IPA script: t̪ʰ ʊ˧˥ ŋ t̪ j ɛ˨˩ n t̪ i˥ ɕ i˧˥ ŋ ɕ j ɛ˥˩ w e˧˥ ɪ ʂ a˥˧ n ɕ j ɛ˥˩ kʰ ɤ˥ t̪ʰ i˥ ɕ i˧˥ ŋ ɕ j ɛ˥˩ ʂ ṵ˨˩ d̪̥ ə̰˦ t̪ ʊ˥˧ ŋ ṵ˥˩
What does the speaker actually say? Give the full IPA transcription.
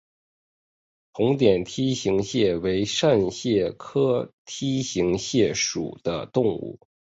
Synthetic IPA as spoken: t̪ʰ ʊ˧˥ ŋ t̪ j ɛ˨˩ n t̪ʰ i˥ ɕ i˧˥ ŋ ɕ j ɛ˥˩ w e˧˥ ɪ ʂ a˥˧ n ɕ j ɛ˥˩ kʰ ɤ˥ t̪ʰ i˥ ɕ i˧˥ ŋ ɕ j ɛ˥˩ ʂ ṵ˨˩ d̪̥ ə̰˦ t̪ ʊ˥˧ ŋ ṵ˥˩

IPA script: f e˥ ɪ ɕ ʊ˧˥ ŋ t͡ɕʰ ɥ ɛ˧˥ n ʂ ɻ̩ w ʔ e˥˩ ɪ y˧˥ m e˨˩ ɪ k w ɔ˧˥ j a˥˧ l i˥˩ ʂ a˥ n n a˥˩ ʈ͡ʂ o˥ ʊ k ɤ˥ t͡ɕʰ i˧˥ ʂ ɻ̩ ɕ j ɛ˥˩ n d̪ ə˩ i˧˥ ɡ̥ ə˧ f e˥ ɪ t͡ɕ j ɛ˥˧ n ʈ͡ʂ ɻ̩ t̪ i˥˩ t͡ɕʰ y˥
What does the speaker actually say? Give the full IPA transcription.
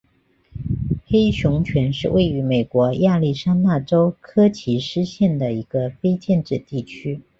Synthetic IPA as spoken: x e˥ ɪ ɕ ʊ˧˥ ŋ t͡ɕʰ ɥ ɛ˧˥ n ʂ ɻ̩ w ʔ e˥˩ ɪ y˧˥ m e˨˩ ɪ k w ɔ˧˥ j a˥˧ l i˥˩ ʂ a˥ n n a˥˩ ʈ͡ʂ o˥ ʊ kʰ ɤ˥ t͡ɕʰ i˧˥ ʂ ɻ̩ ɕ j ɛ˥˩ n d̪ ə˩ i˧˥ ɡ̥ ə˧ f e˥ ɪ t͡ɕ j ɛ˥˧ n ʈ͡ʂ ɻ̩ t̪ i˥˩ t͡ɕʰ y˥

